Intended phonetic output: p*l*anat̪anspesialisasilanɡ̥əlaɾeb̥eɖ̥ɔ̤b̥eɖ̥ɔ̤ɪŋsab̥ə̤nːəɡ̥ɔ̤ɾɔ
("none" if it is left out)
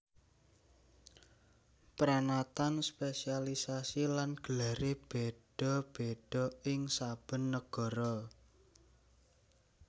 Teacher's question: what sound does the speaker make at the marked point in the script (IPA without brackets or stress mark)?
ɾ